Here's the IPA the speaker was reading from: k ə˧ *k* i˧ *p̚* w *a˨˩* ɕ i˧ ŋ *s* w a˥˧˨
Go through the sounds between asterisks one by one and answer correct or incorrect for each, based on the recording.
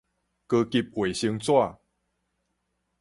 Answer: correct, correct, incorrect: e˨˩, incorrect: t͡s

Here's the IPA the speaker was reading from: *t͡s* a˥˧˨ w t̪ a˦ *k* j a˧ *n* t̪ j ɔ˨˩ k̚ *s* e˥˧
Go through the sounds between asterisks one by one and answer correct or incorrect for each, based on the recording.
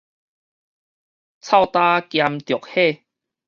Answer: incorrect: t͡sʰ, correct, incorrect: m, incorrect: h

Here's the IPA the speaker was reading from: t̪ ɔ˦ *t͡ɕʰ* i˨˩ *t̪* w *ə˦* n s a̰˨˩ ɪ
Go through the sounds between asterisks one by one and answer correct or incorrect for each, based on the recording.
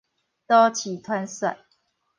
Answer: correct, incorrect: t̪ʰ, incorrect: a˦

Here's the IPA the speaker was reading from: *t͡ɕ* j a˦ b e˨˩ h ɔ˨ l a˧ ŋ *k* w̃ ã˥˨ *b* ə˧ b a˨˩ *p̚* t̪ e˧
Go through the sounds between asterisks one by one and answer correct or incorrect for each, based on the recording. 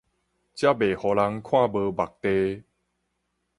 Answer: correct, incorrect: kʰ, correct, incorrect: k̚

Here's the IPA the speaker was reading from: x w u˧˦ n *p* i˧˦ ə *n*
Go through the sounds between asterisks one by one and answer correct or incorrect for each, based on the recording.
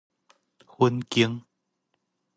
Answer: incorrect: k, incorrect: ŋ

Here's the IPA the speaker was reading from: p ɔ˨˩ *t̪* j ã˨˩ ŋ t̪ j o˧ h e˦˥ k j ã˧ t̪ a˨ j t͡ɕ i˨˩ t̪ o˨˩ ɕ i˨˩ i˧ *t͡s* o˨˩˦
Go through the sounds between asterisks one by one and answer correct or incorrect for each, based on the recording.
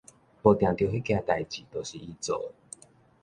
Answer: correct, correct

